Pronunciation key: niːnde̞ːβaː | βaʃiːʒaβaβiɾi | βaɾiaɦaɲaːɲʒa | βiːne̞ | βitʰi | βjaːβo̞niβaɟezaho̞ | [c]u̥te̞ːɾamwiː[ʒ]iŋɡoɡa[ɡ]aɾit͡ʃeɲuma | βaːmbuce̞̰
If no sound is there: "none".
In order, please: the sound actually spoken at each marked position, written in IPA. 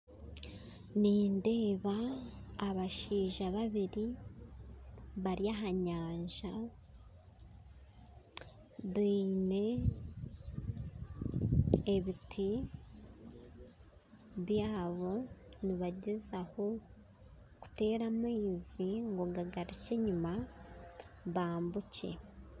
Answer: k, z, ɡ

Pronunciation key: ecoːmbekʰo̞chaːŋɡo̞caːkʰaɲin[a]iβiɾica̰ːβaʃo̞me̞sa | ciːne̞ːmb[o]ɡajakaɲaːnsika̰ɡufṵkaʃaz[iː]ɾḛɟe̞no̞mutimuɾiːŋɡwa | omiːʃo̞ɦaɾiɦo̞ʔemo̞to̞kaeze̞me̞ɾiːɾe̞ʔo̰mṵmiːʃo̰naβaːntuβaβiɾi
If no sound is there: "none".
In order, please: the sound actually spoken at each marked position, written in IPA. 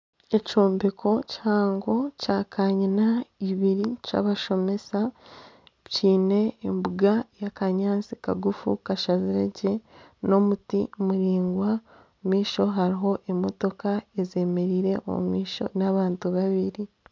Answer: a, u, i

